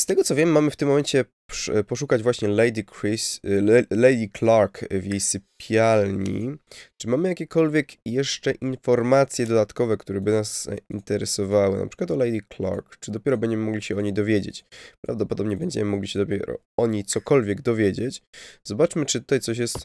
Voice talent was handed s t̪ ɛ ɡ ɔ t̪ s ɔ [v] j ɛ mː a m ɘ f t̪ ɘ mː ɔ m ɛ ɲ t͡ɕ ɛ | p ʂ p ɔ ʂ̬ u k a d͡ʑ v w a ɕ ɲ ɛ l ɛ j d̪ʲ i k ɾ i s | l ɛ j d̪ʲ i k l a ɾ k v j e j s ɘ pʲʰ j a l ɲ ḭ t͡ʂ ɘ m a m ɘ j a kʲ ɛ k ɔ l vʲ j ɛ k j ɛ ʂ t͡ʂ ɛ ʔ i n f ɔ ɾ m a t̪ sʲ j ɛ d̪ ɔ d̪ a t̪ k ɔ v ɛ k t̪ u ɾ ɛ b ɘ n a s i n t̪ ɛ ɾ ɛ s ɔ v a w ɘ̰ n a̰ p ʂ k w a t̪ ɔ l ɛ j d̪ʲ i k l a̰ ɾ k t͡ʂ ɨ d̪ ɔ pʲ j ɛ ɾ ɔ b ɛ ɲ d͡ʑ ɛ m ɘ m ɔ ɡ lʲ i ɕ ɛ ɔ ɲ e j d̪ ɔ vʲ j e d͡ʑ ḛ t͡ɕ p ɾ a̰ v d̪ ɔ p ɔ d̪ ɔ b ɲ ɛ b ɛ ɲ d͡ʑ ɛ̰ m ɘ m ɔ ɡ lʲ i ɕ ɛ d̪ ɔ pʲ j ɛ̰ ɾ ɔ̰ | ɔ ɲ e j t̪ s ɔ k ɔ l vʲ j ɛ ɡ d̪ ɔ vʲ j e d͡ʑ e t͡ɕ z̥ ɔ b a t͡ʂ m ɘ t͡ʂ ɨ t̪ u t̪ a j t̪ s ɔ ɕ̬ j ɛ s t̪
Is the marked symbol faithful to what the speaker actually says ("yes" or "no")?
yes